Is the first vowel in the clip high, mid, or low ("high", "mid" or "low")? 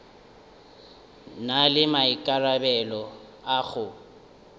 low